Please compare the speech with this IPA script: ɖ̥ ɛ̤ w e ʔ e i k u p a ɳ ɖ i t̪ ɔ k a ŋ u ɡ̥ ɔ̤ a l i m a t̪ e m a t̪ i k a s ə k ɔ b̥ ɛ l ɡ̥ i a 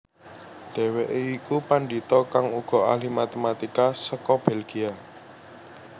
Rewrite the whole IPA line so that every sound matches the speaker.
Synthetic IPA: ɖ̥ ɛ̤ w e ʔ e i k u p a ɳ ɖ i t̪ ɔ k a ŋ u ɡ̥ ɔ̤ a l i m a t̪ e m a t̪ i k a s ə k ɔ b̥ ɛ l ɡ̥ i a